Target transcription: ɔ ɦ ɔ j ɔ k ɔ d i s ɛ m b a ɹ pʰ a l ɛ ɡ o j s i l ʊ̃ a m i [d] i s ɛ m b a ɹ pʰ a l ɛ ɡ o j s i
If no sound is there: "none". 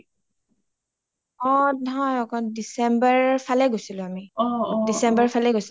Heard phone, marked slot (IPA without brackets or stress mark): d